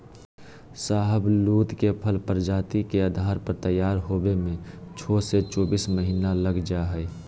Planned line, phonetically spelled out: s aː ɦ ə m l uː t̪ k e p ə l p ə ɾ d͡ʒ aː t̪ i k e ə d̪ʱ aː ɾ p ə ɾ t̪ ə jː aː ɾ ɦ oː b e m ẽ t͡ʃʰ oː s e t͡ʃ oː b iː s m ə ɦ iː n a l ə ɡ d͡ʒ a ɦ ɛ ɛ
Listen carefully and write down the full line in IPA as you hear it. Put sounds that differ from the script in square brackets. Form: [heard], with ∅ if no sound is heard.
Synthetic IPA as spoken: s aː ɦ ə [b] l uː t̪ k e [pʰ] ə l p ə ɾ d͡ʒ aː t̪ i k e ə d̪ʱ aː ɾ p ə ɾ t̪ ə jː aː ɾ ɦ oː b e m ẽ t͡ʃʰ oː s e t͡ʃ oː b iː s m ə ɦ iː n a l ə ɡ d͡ʒ a ɦ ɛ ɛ